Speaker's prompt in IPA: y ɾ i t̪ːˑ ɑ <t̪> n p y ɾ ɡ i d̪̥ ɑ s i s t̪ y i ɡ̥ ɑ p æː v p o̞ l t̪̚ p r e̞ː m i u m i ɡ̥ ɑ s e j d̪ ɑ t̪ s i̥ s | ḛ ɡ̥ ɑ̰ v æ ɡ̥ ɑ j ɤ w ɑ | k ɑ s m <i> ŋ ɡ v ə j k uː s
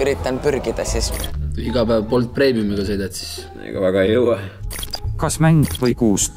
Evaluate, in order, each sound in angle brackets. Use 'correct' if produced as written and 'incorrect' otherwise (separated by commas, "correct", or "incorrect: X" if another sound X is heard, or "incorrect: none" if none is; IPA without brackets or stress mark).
incorrect: none, incorrect: æ